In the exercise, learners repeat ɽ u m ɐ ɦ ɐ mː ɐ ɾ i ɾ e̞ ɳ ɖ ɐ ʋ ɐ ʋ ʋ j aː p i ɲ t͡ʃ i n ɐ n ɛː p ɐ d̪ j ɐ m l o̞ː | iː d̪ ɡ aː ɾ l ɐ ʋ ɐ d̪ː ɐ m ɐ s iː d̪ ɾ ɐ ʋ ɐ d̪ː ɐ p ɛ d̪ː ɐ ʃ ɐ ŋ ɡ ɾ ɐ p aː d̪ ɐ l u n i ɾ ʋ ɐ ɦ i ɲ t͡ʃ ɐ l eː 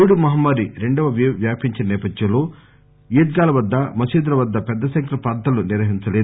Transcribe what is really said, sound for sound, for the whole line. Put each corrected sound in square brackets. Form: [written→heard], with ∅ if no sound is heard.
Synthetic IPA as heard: ɽ u m ɐ ɦ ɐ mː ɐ ɾ i ɾ e̞ ɳ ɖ ɐ ʋ ɐ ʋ ʋ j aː p i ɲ t͡ʃ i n ɐ n ɛː p ɐ d̪ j ɐ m l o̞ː | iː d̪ ɡ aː [ɾ→∅] l ɐ ʋ ɐ d̪ː ɐ m ɐ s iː d̪ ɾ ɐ ʋ ɐ d̪ː ɐ p ɛ d̪ː ɐ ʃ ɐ ŋ [ɡ→k] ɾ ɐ p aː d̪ ɐ l u n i ɾ ʋ ɐ ɦ i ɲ t͡ʃ ɐ l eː

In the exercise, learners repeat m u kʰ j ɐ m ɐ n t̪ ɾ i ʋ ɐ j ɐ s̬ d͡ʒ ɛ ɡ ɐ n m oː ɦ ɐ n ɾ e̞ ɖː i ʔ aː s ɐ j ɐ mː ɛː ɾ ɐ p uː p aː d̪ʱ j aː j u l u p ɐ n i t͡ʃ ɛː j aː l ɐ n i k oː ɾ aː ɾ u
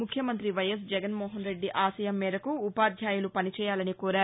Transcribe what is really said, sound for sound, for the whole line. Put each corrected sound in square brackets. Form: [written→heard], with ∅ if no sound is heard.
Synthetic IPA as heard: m u kʰ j ɐ m ɐ n t̪ ɾ i ʋ ɐ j ɐ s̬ d͡ʒ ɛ ɡ ɐ n m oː ɦ ɐ n ɾ e̞ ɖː i ʔ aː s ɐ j ɐ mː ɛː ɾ ɐ [p→k] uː p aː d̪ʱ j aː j u l u p ɐ n i t͡ʃ ɛː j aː l ɐ n i k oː ɾ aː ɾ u

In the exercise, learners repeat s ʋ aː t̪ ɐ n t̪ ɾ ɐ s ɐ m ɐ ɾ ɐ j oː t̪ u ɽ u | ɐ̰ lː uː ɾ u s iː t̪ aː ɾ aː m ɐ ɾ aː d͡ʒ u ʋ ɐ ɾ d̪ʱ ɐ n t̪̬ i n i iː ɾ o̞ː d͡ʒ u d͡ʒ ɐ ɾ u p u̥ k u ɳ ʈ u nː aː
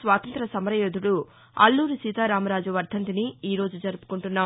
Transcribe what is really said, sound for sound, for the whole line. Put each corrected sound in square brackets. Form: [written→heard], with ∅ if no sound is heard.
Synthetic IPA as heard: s ʋ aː t̪ ɐ n t̪ ɾ ɐ s ɐ m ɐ ɾ ɐ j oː [t̪→d̪] u ɽ u | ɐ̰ lː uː ɾ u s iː t̪ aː ɾ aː m ɐ ɾ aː d͡ʒ u ʋ ɐ ɾ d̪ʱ ɐ n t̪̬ i n i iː ɾ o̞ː d͡ʒ u d͡ʒ ɐ ɾ u p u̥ k u ɳ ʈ u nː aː

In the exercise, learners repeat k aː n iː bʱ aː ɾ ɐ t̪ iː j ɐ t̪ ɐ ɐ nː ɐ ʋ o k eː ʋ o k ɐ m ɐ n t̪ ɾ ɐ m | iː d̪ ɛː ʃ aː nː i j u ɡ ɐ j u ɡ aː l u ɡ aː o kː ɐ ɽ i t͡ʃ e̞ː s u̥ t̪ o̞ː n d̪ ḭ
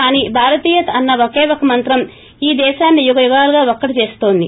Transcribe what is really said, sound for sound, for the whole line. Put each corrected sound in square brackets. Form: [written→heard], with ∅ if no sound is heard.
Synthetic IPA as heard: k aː n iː bʱ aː ɾ ɐ t̪ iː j ɐ t̪ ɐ ɐ nː ɐ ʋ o k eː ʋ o k ɐ m ɐ n t̪ ɾ ɐ m | iː d̪ ɛː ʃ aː nː i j u ɡ ɐ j u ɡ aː l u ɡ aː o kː ɐ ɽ i t͡ʃ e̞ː s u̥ t̪ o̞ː n d̪ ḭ

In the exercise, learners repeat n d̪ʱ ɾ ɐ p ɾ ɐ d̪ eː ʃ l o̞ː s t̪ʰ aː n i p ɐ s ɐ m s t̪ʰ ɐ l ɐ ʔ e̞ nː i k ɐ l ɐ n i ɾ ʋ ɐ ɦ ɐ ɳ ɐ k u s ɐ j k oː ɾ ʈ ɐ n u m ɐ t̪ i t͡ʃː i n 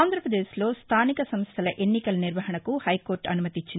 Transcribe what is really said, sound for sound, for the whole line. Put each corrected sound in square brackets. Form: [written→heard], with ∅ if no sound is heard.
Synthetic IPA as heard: n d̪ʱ ɾ ɐ p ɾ ɐ d̪ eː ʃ l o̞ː s t̪ʰ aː n i [p→k] ɐ s ɐ m s t̪ʰ ɐ l ɐ ʔ e̞ nː i k ɐ l ɐ n i ɾ ʋ ɐ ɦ ɐ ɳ ɐ k u [s→h] ɐ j k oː ɾ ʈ ɐ n u m ɐ t̪ i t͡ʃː i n

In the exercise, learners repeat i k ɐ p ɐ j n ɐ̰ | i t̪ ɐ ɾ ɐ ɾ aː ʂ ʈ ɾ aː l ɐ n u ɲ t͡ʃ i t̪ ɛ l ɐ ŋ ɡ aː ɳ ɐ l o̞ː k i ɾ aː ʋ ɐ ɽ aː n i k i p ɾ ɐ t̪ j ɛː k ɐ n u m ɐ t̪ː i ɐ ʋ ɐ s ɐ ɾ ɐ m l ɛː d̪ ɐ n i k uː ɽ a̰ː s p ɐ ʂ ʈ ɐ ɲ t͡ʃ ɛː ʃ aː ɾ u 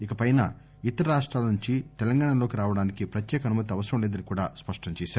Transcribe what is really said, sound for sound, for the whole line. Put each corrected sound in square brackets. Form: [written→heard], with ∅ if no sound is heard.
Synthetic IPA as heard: i k ɐ p ɐ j n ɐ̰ | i t̪ ɐ ɾ ɐ ɾ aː ʂ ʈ ɾ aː l ɐ n u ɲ t͡ʃ i t̪ ɛ l ɐ ŋ ɡ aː ɳ ɐ l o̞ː k i ɾ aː ʋ ɐ ɽ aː n i k i p ɾ ɐ t̪ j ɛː k ɐ n u m ɐ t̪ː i ɐ ʋ ɐ s ɐ ɾ ɐ m l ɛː d̪ ɐ n i k uː ɽ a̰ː s p ɐ ʂ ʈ ɐ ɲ t͡ʃ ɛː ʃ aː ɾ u

